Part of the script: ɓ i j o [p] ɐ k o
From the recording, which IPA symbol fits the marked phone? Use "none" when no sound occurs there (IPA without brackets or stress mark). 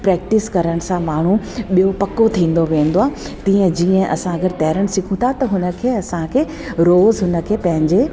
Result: p